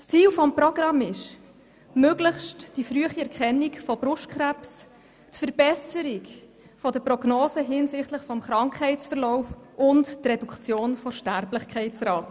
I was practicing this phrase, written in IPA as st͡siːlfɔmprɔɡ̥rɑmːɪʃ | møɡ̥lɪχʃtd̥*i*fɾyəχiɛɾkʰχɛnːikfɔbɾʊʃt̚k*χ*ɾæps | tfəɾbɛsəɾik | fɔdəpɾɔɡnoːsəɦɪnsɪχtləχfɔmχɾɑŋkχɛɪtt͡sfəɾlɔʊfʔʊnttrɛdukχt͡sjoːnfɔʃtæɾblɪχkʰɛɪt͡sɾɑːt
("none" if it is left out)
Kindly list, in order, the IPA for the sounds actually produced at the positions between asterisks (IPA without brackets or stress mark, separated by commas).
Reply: i, χ